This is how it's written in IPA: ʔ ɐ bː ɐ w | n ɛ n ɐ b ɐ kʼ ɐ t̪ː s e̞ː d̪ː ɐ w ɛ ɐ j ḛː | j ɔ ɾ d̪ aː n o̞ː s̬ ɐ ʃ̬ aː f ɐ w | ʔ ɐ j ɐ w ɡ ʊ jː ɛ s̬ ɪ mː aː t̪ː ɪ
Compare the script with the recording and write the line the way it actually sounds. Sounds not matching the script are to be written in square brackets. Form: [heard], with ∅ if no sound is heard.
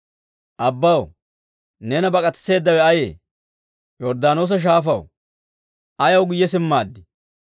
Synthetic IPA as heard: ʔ ɐ bː ɐ w | n ɛ n ɐ b ɐ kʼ ɐ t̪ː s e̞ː d̪ː ɐ w ɛ ɐ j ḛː | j ɔ ɾ d̪ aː n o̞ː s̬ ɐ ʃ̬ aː f ɐ w | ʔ ɐ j ɐ w ɡ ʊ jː ɛ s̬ ɪ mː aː [d̪ː] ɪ